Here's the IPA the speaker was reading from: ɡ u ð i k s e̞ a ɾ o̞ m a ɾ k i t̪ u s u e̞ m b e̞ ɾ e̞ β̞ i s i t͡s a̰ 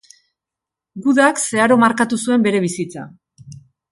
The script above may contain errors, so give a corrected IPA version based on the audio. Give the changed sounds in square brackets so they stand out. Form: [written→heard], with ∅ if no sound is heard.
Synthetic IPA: ɡ u ð [i→a] k s e̞ a ɾ o̞ m a ɾ k [i→a] t̪ u s u e̞ m b e̞ ɾ e̞ β̞ i s i t͡s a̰